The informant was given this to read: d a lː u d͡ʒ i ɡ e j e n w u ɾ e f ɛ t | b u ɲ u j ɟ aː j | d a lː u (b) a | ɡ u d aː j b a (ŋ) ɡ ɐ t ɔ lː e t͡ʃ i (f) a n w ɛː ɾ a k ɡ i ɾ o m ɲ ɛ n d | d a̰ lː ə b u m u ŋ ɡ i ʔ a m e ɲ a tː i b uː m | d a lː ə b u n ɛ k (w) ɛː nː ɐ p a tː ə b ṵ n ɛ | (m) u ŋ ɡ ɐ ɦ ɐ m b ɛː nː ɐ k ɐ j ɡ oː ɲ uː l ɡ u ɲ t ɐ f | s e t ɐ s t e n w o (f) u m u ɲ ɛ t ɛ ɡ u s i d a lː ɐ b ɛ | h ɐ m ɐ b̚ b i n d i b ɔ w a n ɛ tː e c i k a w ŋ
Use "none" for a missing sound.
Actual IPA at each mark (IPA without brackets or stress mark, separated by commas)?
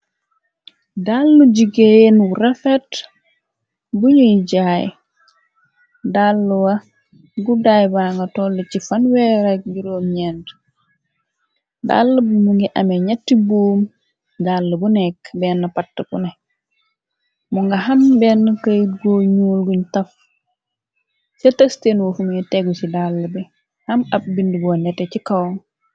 w, ŋ, f, b, m, f